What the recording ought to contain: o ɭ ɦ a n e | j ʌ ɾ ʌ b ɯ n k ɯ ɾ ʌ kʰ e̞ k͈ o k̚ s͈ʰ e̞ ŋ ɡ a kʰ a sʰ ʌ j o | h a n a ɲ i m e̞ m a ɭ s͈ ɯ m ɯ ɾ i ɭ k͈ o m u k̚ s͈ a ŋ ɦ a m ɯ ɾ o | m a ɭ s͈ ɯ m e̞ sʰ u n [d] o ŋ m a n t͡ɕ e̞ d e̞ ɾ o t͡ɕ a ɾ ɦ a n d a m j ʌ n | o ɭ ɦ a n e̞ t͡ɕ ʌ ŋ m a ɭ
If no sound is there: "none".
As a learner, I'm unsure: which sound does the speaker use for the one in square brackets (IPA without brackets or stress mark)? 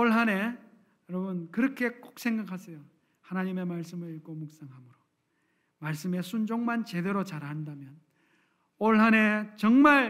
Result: d͡ʑ